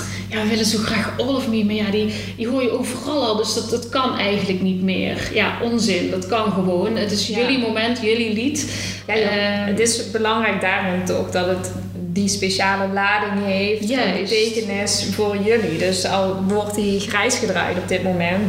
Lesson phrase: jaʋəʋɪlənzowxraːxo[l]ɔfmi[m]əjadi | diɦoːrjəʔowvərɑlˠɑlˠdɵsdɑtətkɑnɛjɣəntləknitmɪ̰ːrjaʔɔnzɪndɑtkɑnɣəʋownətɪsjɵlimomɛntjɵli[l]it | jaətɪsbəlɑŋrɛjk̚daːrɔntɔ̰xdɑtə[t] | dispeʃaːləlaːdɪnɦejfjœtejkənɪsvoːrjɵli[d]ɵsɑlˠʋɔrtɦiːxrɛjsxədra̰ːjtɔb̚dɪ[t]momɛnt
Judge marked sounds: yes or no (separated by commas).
yes, yes, yes, yes, yes, yes